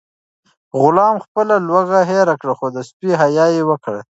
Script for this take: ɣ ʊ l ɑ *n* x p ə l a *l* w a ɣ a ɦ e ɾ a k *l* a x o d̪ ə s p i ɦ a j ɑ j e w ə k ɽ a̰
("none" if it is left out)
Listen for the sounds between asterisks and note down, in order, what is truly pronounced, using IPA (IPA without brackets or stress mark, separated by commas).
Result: m, l, ɽ